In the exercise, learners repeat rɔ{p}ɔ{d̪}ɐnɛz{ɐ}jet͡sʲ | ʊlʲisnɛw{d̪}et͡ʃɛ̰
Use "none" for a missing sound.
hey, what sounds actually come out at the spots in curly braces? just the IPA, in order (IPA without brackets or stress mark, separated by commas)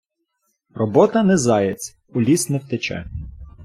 b, t̪, ɑ, t̪